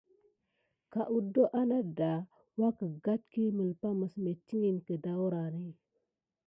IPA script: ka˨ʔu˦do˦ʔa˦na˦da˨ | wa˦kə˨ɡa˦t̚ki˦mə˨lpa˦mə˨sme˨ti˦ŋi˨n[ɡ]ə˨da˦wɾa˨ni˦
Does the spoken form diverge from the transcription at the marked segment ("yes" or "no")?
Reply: yes